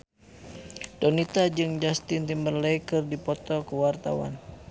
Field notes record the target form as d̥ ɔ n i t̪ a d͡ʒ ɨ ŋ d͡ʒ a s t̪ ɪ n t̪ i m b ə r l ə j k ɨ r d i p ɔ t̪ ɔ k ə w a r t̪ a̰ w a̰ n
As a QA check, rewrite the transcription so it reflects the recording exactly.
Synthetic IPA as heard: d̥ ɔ n i t̪ a d͡ʒ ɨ ŋ d͡ʒ a s t̪ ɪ n t̪ i m b ə r l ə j k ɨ r d i p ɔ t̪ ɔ k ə w a r t̪ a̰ w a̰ n